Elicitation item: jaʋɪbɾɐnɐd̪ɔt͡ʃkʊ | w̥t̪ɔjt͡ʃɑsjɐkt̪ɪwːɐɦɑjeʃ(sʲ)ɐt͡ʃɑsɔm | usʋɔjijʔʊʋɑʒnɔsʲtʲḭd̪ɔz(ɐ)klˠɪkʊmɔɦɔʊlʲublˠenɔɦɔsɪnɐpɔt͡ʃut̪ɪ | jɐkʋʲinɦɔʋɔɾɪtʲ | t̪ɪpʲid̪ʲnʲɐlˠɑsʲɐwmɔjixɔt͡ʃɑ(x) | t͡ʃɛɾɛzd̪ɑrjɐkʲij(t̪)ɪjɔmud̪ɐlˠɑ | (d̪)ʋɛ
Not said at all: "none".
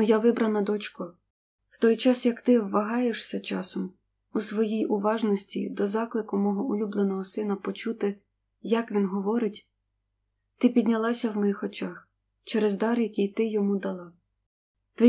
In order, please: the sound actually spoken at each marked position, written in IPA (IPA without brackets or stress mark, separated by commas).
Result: sʲ, ɑ, x, t̪, t̪